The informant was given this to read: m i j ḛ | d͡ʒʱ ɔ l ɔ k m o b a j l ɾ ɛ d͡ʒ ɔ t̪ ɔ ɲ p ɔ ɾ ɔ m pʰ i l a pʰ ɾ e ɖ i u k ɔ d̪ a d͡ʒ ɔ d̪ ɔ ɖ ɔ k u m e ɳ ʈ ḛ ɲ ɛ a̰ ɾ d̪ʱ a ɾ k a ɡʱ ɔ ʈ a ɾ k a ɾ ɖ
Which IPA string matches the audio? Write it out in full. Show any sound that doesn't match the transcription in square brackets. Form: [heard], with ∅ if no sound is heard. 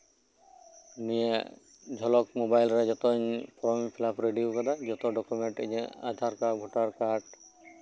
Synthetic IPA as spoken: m i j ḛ | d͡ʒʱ ɔ l ɔ k m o b a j l ɾ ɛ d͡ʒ ɔ t̪ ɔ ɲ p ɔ ɾ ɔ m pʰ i l a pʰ ɾ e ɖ i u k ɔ d̪ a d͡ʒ ɔ [t̪] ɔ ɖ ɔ k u m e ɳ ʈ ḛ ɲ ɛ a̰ [∅] d̪ʱ a ɾ k a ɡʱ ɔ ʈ a ɾ k a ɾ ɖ